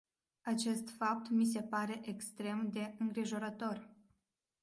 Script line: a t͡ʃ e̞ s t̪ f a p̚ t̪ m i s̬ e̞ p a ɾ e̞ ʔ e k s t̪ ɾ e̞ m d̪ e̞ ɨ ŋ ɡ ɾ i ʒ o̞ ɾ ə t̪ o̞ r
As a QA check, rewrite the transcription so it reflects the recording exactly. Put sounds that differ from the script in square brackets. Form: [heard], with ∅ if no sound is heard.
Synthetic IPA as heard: a t͡ʃ e̞ s t̪ f a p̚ t̪ m i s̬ e̞ p a ɾ e̞ ʔ e k s t̪ ɾ e̞ m d̪ e̞ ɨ ŋ ɡ ɾ i ʒ o̞ ɾ ə t̪ o̞ r